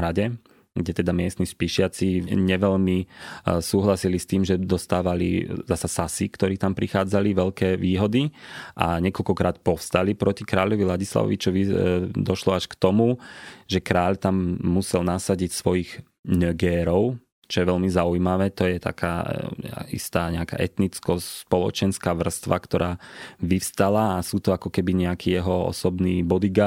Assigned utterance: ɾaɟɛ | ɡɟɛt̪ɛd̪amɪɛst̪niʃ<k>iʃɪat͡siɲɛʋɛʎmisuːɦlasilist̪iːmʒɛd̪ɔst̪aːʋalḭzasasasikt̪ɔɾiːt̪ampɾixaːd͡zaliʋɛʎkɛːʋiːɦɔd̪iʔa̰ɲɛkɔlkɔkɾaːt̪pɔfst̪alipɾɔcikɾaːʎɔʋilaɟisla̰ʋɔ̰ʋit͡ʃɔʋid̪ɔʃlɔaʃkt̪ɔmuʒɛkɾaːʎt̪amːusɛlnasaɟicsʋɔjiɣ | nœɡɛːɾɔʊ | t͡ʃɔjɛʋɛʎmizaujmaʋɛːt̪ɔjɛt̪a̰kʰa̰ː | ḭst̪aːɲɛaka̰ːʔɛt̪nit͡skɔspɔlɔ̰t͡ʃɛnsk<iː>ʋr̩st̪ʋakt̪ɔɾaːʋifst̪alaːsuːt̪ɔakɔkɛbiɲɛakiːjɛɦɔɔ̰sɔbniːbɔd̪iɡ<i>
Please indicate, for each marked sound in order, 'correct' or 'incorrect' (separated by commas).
incorrect, incorrect, incorrect